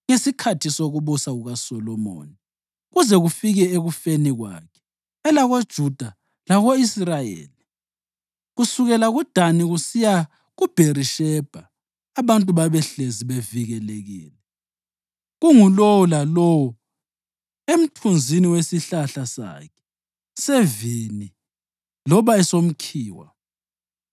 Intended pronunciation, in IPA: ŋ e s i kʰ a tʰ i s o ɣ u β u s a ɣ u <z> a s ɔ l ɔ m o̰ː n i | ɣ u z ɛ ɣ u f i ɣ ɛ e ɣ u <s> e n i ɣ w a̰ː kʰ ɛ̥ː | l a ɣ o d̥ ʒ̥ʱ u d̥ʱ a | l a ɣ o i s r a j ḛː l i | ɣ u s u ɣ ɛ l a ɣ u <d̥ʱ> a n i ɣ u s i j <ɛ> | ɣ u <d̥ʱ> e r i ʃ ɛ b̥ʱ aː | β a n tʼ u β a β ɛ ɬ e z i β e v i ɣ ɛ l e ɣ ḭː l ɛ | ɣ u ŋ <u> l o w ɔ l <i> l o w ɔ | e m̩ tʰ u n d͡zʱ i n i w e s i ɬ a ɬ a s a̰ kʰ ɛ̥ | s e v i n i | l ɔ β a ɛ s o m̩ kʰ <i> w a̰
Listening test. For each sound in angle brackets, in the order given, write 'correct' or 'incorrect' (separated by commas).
incorrect, incorrect, correct, incorrect, incorrect, correct, incorrect, incorrect